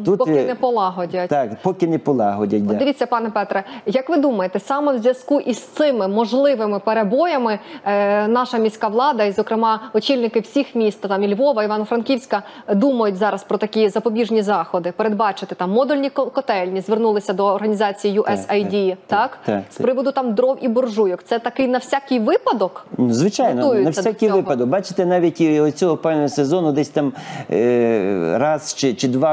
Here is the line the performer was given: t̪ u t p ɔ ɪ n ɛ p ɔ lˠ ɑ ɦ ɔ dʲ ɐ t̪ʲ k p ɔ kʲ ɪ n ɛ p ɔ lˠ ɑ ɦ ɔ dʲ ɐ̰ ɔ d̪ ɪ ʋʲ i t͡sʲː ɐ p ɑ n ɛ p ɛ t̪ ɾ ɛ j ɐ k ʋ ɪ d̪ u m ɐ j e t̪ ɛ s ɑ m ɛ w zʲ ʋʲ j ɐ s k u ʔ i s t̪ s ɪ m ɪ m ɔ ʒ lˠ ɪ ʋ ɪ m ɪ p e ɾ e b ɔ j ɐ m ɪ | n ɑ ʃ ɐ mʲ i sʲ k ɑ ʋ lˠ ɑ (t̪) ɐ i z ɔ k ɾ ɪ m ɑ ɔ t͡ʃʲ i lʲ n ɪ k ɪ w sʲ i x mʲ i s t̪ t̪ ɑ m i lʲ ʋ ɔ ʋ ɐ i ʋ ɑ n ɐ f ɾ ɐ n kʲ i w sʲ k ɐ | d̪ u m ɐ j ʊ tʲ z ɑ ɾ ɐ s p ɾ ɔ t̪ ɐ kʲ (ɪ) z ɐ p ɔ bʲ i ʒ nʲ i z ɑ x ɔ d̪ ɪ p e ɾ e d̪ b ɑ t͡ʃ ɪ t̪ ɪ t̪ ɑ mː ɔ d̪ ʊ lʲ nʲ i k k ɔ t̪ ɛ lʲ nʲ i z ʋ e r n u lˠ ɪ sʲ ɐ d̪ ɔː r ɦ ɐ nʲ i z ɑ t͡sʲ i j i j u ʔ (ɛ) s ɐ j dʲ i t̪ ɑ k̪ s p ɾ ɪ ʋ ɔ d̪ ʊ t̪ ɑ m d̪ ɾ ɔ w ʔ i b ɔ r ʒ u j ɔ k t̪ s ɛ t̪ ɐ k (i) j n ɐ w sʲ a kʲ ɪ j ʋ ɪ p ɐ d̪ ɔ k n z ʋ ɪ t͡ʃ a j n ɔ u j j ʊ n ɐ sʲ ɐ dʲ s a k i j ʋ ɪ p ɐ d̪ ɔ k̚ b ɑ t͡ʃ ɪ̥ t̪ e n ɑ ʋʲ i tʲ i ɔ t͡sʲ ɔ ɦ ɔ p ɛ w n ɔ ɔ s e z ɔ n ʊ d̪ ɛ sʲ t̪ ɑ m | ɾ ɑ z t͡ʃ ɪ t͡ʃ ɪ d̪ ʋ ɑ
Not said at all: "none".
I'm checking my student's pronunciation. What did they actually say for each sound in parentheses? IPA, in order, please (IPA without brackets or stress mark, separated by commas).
d̪, i, ɛ, ɪ